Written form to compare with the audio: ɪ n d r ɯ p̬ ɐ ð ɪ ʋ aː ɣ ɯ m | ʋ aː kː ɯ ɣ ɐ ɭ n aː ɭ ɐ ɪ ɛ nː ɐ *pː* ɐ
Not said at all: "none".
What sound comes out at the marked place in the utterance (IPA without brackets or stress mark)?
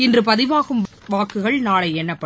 pː